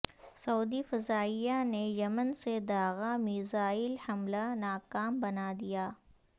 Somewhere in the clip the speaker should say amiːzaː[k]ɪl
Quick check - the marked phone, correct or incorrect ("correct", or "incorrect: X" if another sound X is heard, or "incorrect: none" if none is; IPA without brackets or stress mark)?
incorrect: none